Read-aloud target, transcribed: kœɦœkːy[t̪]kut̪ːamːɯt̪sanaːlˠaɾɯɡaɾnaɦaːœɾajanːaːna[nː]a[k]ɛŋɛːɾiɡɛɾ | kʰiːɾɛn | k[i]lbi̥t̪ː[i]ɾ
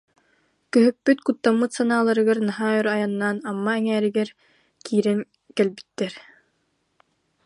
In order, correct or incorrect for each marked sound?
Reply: correct, incorrect: mː, incorrect: none, incorrect: ɛ, incorrect: ɛ

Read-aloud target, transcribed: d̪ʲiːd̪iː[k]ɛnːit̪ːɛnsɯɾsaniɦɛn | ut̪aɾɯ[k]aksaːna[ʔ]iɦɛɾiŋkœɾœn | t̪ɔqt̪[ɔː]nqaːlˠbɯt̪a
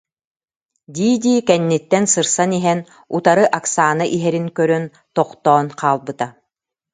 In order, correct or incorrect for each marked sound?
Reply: correct, incorrect: ʔ, correct, correct

